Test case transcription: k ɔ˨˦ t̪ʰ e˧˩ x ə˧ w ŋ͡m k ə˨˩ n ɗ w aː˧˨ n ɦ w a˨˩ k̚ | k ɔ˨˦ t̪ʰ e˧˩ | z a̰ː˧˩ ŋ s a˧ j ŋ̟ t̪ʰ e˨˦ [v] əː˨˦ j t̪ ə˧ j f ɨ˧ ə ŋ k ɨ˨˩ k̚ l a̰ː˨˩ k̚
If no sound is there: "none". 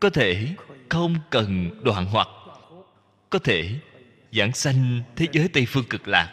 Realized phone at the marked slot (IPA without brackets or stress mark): z